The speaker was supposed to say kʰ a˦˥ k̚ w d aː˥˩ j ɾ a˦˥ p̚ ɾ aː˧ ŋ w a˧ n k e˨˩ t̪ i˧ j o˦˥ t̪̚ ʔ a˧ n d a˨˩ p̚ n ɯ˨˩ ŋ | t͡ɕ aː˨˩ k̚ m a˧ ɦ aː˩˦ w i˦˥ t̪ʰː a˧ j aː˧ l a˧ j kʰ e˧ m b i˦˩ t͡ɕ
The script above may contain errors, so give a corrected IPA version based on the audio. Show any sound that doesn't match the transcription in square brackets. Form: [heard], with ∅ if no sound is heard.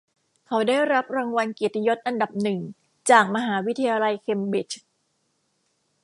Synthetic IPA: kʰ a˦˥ [∅] w d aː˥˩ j ɾ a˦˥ p̚ ɾ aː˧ ŋ w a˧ n k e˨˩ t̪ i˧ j o˦˥ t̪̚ ʔ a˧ n d a˨˩ p̚ n ɯ˨˩ ŋ | t͡ɕ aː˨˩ k̚ m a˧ ɦ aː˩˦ w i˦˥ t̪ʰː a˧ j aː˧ l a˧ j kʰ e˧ m b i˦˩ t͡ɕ